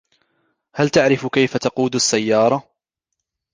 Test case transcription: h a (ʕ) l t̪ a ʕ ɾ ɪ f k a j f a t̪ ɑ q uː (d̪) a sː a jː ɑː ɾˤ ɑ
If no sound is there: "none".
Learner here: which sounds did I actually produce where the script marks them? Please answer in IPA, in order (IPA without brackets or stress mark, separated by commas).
none, d̪